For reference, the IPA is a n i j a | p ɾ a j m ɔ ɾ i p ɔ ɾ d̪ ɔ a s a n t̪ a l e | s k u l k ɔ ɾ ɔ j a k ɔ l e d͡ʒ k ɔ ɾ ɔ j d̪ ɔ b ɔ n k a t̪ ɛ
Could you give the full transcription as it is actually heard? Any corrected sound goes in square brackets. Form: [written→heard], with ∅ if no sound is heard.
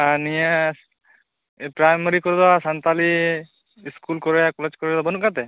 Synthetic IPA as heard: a n i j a | p ɾ a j m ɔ ɾ i [p→k] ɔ ɾ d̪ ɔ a s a n t̪ a l [e→i] | s k u l k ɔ ɾ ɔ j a k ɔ l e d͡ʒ k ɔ ɾ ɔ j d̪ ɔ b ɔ n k a t̪ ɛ